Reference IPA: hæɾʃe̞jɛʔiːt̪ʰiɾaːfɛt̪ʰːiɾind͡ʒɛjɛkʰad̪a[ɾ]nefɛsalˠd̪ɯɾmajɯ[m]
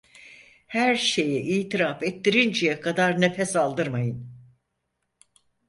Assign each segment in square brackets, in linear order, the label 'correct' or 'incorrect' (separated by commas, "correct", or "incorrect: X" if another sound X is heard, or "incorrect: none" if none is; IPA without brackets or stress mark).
correct, incorrect: n